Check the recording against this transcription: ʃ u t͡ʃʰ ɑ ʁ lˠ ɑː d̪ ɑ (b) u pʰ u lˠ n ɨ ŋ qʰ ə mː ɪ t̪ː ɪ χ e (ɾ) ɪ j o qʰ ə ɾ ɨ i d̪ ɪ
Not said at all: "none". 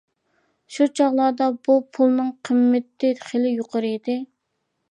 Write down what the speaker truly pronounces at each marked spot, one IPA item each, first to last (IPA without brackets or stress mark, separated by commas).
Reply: b, l